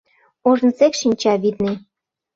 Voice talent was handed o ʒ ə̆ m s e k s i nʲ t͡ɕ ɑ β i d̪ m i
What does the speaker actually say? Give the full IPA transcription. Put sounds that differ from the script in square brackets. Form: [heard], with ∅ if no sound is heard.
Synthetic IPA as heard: o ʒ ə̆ [n] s e k [ʃ] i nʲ t͡ɕ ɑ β i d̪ [n] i